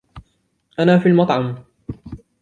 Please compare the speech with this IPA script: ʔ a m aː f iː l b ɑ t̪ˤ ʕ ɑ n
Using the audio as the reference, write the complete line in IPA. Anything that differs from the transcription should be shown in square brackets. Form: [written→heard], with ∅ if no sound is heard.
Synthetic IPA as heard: ʔ a [m→n] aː f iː l [b→m] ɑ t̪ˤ ʕ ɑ [n→m]